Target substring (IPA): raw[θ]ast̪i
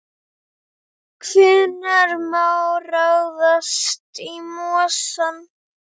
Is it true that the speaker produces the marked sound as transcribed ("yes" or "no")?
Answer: no